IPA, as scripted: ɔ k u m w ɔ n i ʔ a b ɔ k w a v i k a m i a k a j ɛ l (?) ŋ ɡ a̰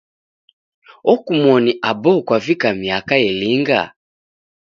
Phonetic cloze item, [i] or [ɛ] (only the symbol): i